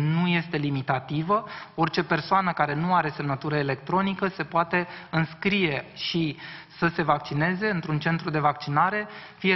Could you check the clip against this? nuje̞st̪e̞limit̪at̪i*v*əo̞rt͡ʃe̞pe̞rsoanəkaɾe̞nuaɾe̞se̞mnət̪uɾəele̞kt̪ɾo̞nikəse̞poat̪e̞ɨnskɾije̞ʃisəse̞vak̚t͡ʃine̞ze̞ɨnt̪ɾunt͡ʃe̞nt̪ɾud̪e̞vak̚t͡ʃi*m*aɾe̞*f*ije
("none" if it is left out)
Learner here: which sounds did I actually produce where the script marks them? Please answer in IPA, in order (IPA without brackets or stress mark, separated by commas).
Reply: v, n, f